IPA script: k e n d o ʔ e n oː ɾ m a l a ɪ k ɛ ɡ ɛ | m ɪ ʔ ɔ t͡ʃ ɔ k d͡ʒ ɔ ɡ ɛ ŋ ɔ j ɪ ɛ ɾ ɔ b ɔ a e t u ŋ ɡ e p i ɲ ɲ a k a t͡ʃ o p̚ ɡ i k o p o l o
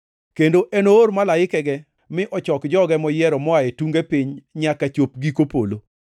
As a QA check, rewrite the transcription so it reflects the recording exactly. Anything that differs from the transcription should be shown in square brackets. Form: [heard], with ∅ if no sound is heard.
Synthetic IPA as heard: k e n d o ʔ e n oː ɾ m a l a ɪ k ɛ ɡ ɛ | m ɪ ʔ ɔ t͡ʃ ɔ k d͡ʒ ɔ ɡ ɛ [m] ɔ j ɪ ɛ ɾ ɔ [m] ɔ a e t u ŋ ɡ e p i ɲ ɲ a k a t͡ʃ o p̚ ɡ i k o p o l o

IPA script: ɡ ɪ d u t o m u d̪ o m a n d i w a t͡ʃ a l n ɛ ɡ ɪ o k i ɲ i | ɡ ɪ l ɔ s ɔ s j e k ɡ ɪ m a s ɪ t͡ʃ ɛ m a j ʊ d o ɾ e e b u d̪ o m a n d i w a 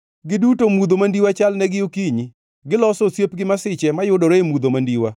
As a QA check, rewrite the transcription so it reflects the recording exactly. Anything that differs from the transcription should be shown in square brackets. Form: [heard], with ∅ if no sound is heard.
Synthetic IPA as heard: ɡ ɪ d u t o m u d̪ o m a n d i w a t͡ʃ a l n ɛ ɡ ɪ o k i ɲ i | ɡ ɪ l ɔ s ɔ s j e [p] ɡ ɪ m a s ɪ t͡ʃ ɛ m a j ʊ d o ɾ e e [m] u d̪ o m a n d i w a

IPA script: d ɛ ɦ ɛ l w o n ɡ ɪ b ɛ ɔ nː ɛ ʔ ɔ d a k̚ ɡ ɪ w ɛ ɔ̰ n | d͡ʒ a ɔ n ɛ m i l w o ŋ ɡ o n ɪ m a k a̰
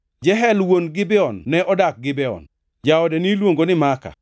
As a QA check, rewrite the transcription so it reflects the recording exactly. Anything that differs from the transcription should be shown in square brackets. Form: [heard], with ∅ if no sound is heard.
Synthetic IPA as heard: [d͡ʒ] ɛ ɦ ɛ l w o n ɡ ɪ b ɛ ɔ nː ɛ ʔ ɔ d a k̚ ɡ ɪ [b] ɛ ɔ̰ n | d͡ʒ a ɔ [d] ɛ [n] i l w o ŋ ɡ o n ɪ m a k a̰

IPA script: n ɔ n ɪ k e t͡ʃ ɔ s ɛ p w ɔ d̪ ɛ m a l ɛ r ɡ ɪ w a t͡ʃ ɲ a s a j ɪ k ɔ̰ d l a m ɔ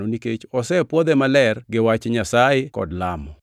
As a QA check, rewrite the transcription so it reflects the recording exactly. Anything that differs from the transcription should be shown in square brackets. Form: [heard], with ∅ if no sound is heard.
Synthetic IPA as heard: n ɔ n [i] k e t͡ʃ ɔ s ɛ p w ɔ d̪ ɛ m a l ɛ r ɡ ɪ w a t͡ʃ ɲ a s a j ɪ k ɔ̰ d l a m ɔ

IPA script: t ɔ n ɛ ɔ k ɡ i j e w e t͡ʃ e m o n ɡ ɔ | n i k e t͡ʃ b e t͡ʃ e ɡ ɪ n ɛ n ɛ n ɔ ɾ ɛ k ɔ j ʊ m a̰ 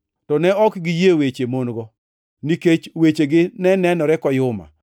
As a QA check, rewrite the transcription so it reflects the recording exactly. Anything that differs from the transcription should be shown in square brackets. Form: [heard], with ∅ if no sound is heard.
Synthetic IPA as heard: t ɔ n ɛ ɔ k ɡ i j e w e t͡ʃ e m o n ɡ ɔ | n i k e t͡ʃ [w] e t͡ʃ e ɡ ɪ n ɛ n ɛ n ɔ ɾ ɛ k ɔ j ʊ m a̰

